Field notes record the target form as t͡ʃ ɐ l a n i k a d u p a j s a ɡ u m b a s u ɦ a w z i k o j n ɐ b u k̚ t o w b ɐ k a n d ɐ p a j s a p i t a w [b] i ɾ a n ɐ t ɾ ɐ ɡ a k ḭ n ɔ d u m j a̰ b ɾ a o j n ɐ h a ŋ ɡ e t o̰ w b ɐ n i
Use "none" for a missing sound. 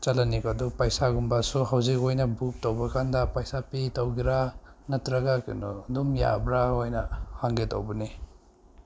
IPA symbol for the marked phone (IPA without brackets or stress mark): ɡ